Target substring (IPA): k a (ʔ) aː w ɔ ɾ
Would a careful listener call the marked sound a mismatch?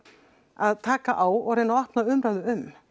no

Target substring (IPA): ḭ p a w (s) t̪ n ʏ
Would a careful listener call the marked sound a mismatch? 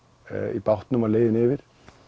yes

